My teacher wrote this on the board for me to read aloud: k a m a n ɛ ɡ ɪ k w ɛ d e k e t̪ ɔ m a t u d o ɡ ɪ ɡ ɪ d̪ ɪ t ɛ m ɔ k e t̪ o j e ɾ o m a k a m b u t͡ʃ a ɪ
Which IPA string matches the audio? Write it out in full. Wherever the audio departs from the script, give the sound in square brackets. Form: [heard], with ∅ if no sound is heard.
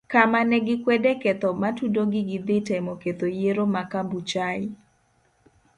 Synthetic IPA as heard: k a m a n ɛ ɡ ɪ k w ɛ d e k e t̪ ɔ m a t u d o ɡ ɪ ɡ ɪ d̪ ɪ t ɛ m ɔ k e t̪ o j e ɾ o m a k a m b u t͡ʃ a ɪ